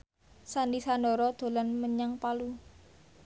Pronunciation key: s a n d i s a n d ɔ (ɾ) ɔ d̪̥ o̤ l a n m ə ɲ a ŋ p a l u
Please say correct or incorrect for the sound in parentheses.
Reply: correct